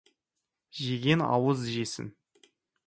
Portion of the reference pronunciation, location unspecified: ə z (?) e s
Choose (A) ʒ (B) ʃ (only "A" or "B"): A